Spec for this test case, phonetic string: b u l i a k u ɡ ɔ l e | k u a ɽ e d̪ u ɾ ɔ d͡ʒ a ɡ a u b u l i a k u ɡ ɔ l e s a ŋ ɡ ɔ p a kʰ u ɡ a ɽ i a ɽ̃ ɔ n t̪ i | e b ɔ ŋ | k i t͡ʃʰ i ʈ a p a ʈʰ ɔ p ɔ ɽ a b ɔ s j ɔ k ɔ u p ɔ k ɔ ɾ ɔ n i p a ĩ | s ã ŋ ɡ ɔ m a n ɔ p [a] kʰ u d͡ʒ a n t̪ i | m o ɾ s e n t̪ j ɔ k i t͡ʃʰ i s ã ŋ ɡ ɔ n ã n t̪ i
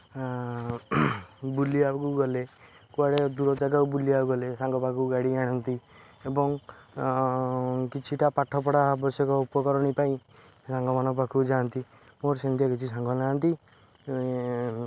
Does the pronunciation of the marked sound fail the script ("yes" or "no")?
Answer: no